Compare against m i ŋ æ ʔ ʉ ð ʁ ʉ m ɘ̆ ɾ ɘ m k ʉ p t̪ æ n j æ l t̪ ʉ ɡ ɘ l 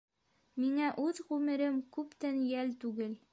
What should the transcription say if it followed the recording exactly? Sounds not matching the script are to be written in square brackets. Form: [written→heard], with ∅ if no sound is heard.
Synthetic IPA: m i ŋ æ ʔ ʉ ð ʁ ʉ m ɘ̆ ɾ ɘ m k ʉ p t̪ æ n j æ l t̪ ʉ ɡ ɘ l